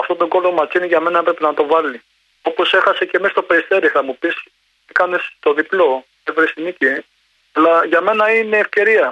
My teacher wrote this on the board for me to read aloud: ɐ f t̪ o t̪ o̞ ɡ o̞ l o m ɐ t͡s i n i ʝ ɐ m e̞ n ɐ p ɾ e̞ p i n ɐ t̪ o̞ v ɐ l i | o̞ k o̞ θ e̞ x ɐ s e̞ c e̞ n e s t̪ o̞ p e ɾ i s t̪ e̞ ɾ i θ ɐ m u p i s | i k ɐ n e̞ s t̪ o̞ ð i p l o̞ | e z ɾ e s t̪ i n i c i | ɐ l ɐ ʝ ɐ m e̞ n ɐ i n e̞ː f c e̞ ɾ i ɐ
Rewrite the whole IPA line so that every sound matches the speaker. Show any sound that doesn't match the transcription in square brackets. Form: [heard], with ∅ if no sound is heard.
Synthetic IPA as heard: ɐ f t̪ o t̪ o̞ ɡ o̞ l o m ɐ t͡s i n i ʝ ɐ m e̞ n ɐ p ɾ e̞ p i n ɐ t̪ o̞ v ɐ l i | o̞ [p] o̞ [s] e̞ x ɐ s e̞ c e̞ [m] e s t̪ o̞ p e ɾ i s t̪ e̞ ɾ i θ ɐ m u p i s | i k ɐ n e̞ s t̪ o̞ ð i p l o̞ | e [v] ɾ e s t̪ i n i c i | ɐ l ɐ ʝ ɐ m e̞ n ɐ i n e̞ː f c e̞ ɾ i ɐ